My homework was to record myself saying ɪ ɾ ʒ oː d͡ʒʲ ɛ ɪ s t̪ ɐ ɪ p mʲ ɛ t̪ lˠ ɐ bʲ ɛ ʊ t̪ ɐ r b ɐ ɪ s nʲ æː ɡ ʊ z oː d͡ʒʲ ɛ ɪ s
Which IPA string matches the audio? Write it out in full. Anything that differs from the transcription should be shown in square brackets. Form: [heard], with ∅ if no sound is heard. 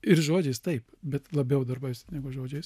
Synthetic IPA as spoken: ɪ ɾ ʒ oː d͡ʒʲ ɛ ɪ s t̪ ɐ ɪ p [bʲ] ɛ t̪ lˠ ɐ bʲ ɛ ʊ [d̪] ɐ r b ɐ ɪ s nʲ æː ɡ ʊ [ʒ] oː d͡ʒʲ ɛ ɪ s